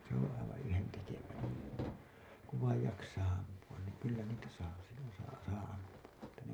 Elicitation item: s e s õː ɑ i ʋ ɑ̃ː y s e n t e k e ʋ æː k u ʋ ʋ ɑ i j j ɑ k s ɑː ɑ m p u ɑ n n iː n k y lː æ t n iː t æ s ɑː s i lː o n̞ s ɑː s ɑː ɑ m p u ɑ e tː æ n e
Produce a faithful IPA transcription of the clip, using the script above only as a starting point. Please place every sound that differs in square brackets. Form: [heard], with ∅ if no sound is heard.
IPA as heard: s e [∅] õː ɑ i ʋ ɑ̃ː y [h] e n t e k e ʋ æː k u ʋ ʋ ɑ i j j ɑ k s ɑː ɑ m p u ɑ n n iː [ŋ] k y lː æ [∅] n iː t æ s ɑː s i lː o n̞ s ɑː s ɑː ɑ m p u ɑ e tː æ n e

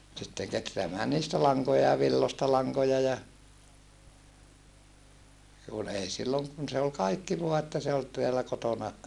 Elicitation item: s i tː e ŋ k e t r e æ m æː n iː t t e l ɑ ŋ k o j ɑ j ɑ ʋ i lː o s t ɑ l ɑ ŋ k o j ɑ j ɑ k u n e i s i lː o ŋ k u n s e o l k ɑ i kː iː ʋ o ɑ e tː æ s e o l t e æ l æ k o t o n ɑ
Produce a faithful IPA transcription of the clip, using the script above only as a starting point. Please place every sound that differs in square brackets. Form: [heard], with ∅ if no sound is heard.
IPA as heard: s i tː e ŋ k e t r e æ m æː n iː [s] t [æ] l ɑ ŋ k o j ɑ j ɑ ʋ i lː o s t ɑ l ɑ ŋ k o j ɑ j ɑ k u n e i s i lː o ŋ k u n s e o l k ɑ i kː [i] ʋ o ɑ e tː æ s e o l t e æ l æ k o t o n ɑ

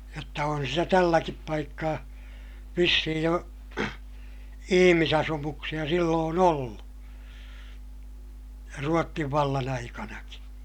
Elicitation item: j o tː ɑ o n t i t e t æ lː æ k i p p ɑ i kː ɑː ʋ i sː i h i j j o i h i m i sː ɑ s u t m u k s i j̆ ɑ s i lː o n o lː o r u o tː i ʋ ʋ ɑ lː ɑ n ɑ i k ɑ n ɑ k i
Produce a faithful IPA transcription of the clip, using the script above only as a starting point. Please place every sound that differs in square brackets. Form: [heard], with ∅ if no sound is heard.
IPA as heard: j o tː ɑ o n [s] i t [æ] t æ lː æ k i p p ɑ i kː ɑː ʋ i sː i h i j j o i h i m i [s] ɑ s u [∅] m u k s i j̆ ɑ s i lː [oː] n o lː [u] r u o tː i ʋ ʋ ɑ lː ɑ n ɑ i k ɑ n ɑ k i

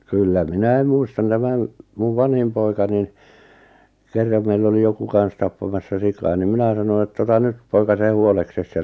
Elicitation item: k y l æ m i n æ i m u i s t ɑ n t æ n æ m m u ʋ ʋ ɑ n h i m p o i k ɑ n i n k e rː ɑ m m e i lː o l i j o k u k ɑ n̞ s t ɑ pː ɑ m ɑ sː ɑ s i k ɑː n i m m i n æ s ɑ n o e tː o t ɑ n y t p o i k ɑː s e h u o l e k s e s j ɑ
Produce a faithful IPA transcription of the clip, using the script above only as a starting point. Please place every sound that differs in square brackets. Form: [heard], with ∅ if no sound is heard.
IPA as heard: k y [lː] æ m i n æ i m u i s t ɑ n t æ [m] æ [n] m u ʋ ʋ ɑ n h i m p o i k ɑ n i n k e rː ɑ m m e i lː o l i j o k u k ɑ n̞ s t ɑ pː ɑ m ɑ sː ɑ s i k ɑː n i m m i n æ s ɑ n o e tː o t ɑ n y t p o i k [ɑ] s e h u o l e k s e s j ɑ

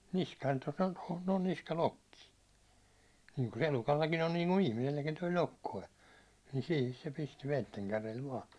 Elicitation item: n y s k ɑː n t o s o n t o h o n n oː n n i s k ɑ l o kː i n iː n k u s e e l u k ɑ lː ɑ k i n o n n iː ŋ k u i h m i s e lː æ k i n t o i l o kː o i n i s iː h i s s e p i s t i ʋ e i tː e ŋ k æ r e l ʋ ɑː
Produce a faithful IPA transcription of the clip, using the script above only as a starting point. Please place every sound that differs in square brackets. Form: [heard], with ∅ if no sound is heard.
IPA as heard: n [i] s k ɑː n t o s o n t o h o n n oː n n i s k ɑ l o kː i n iː [ŋ] k u s e e l u k ɑ lː ɑ k i n o n n iː ŋ k u i h m i s e lː æ k i n t o i l o kː o i n i s iː h i s s e p i s t i ʋ e i tː e ŋ k æ r e l ʋ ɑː

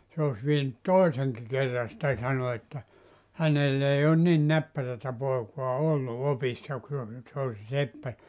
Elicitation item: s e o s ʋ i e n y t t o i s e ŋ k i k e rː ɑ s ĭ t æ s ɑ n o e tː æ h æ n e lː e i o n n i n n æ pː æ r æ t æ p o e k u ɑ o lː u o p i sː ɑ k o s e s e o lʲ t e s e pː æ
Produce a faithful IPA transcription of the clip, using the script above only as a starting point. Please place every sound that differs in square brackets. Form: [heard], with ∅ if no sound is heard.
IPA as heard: s e o s ʋ i e n y t t o i s e ŋ k i k e rː ɑ s ĭ t æ s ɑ n o e tː æ h æ n e lː e i o n n i n n æ pː æ r æ t æ p o e k u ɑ o lː u o p i sː ɑ k [u] s e s e o lʲ [s] e s e pː æ

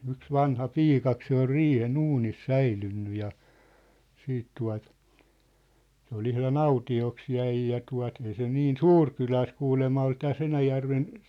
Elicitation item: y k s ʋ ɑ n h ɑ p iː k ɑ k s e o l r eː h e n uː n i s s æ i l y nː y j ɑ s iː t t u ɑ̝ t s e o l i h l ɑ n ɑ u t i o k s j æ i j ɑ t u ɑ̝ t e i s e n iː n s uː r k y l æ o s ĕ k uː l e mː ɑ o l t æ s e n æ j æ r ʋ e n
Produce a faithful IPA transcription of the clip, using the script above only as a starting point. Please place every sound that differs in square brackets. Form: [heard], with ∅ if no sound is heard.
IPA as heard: y k s ʋ ɑ n h ɑ p iː k ɑ k s e o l r [iː] h e n uː n i s s æ i l y nː y j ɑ s iː t t u ɑ̝ t s e o l i h l ɑ n ɑ u t i o k s j æ i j ɑ t u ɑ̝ t e i s e n iː n s uː r k y l æ o s ĕ k uː l e mː ɑ o l t æ s e n æ j æ r ʋ e n

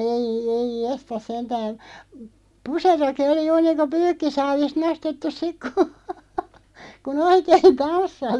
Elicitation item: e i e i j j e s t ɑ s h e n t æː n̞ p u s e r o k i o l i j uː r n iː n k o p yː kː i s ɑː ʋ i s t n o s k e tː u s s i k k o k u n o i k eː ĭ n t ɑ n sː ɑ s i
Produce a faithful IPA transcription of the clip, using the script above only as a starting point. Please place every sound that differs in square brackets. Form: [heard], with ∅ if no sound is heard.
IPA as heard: e i e i j j e s t ɑ s [s] e n t æː n̞ p u s e r o k i o l i j uː r n iː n k o p yː kː i s ɑː ʋ i s t n o s [t] e tː u s s i k k [u] k u n o i k eː ĭ n t ɑ n sː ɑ s i

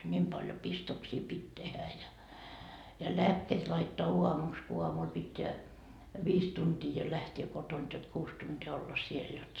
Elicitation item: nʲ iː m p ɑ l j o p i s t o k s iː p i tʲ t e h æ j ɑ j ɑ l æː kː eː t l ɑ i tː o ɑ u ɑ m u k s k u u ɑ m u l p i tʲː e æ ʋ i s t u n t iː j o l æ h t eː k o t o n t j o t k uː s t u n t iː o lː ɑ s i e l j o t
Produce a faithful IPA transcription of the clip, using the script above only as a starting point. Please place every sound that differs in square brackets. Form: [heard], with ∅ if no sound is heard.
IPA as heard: nʲ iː m p ɑ l j o p i s t o k s iː p i tʲ t e h æ j ɑ j ɑ l æː kː eː t l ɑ i tː o ɑ u ɑ m u k s k u u ɑ m u l p i tʲː e æ ʋ [iː] s t u n t iː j o l æ h t eː k o t o n t j o t k uː s t u n t iː o lː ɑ s i e l j o t

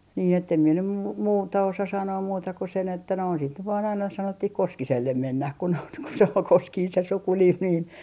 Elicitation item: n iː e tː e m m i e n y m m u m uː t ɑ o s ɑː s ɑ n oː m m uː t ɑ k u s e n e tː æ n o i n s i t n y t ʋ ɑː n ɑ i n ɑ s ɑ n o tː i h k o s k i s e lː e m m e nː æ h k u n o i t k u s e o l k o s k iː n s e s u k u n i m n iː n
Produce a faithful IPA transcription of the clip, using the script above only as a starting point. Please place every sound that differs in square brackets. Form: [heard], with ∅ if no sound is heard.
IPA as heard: n iː e tː e m m i e n y m m u m uː t ɑ o s [ɑ] s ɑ n oː m m uː t ɑ k u s e n e tː æ n o i n s i t n y t ʋ ɑː n ɑ i n ɑ s ɑ n o tː i h k o s k i s e lː e m m e nː æ h k u n o i t k u s e o l k o s k iː n s e s u k u n i m n iː n

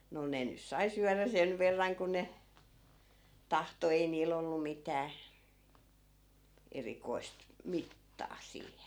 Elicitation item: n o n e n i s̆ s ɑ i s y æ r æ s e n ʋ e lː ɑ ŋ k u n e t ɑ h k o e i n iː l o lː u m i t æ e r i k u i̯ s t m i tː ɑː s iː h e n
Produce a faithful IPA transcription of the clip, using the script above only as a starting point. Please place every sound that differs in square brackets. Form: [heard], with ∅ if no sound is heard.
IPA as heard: n o n e n [y] s̆ s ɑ i s y æ r æ s e n ʋ e [rː] ɑ ŋ k u n e t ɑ h [t] o e i n iː l o lː u m i t [æː] e r i k [o] i̯ s t m i tː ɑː s iː h e n

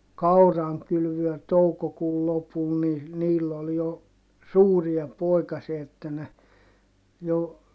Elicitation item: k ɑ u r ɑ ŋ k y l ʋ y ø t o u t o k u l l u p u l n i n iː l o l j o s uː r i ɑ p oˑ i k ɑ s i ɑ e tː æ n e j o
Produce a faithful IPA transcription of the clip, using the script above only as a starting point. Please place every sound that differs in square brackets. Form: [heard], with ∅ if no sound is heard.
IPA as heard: k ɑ u r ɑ ŋ k y l ʋ y ø t o u [k] o k [uː] l l [o] p u l n i n iː [lː] o l j o s uː r i ɑ p oˑ i k ɑ s i ɑ e tː æ n e j o

